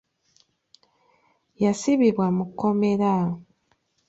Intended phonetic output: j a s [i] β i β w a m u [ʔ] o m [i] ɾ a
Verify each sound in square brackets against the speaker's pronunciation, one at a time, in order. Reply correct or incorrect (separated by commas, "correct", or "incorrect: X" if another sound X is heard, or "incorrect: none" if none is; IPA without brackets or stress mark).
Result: correct, incorrect: k, incorrect: e